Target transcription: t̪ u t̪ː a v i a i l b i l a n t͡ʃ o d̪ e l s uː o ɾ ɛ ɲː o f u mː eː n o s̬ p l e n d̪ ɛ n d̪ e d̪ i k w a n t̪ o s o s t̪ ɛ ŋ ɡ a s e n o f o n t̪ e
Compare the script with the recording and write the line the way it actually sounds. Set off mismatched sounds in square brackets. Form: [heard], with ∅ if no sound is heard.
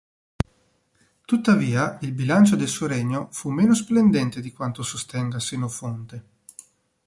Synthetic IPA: t̪ u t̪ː a v [iː] a i l b i l a n t͡ʃ o d̪ e l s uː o ɾ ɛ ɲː o f u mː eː n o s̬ p l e n d̪ ɛ n [t̪] e d̪ i k w a n t̪ o s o s t̪ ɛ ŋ ɡ a s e n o f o n t̪ e